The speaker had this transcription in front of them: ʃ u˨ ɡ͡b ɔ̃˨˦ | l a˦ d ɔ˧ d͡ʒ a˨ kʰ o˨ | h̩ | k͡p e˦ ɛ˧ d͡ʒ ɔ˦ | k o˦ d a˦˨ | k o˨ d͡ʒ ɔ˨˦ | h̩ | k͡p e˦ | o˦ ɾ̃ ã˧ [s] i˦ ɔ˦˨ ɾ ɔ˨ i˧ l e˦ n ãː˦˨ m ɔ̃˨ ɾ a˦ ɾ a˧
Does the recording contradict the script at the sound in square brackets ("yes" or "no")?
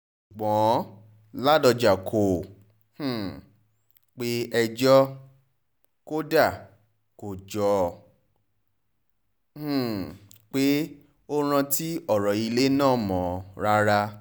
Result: yes